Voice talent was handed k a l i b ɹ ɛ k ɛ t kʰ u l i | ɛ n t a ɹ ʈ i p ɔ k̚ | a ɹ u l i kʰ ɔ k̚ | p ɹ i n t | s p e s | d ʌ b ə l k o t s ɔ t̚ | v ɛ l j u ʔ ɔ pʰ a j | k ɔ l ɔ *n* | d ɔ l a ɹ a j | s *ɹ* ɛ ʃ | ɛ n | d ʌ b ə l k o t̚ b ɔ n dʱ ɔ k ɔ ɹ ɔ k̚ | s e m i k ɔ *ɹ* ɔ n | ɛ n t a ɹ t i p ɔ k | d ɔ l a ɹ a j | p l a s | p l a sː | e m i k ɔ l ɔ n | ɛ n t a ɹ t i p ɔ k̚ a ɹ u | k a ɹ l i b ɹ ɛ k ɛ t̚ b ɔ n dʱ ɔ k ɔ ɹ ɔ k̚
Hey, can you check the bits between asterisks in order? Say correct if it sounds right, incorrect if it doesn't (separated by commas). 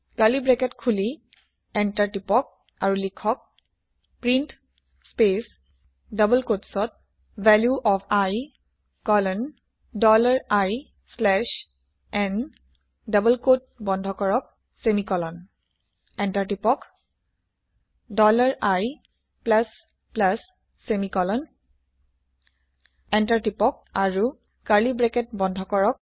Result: correct, incorrect, incorrect